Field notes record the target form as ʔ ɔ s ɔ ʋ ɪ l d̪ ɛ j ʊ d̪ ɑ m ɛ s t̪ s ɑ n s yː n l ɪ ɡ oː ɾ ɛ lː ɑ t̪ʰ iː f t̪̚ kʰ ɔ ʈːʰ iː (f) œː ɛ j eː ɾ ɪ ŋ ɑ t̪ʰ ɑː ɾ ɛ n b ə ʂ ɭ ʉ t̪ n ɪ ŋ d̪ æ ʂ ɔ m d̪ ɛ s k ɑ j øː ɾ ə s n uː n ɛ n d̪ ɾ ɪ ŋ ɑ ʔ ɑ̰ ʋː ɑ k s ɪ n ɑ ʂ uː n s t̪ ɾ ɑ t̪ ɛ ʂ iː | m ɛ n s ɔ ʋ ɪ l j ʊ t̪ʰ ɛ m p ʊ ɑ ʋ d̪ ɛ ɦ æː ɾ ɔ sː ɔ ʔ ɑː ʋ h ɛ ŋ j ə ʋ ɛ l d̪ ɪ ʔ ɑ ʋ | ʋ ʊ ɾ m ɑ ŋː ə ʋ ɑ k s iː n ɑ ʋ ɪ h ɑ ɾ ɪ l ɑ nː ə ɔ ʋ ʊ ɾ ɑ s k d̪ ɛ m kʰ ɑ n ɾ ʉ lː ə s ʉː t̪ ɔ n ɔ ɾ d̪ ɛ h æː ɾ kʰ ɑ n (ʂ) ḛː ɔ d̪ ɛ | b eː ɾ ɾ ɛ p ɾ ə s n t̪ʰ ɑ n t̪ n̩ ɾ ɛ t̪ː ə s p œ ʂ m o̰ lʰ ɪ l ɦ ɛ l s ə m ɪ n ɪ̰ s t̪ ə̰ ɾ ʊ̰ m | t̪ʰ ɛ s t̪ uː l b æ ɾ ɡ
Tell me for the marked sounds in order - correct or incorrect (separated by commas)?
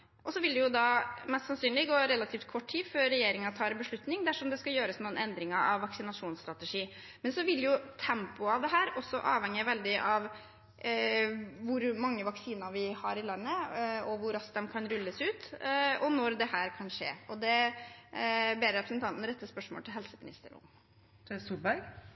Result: correct, correct